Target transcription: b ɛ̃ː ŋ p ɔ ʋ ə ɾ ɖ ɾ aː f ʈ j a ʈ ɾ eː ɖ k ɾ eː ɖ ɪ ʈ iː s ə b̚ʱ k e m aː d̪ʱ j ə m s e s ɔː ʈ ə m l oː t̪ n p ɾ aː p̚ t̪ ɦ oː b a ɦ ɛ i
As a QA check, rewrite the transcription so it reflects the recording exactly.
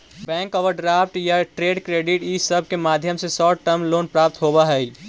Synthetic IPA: b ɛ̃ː ŋ k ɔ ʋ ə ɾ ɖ ɾ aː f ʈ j a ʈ ɾ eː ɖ k ɾ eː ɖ ɪ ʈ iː s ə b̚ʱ k e m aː d̪ʱ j ə m s e s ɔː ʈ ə m l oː n p ɾ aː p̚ t̪ ɦ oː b a ɦ ɛ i